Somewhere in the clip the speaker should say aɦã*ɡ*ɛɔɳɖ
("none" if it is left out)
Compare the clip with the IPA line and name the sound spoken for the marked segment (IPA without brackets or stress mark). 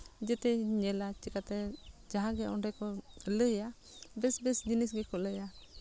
ɡ